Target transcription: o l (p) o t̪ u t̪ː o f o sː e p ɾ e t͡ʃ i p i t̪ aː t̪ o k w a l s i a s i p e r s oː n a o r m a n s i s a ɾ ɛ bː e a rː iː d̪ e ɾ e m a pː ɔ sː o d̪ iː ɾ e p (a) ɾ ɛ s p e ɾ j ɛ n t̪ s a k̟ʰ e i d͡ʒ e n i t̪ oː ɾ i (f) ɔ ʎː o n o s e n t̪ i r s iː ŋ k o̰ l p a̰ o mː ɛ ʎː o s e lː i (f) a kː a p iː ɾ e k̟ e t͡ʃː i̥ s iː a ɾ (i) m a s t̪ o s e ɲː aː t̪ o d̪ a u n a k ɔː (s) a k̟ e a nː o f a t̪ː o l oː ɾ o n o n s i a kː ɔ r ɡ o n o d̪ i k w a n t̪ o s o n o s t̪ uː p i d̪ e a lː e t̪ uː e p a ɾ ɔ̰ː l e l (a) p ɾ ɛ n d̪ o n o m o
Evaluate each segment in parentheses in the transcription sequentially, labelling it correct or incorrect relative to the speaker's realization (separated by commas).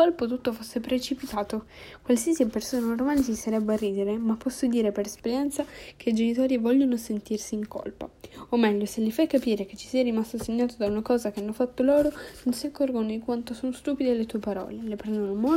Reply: correct, incorrect, incorrect, correct, correct, incorrect, incorrect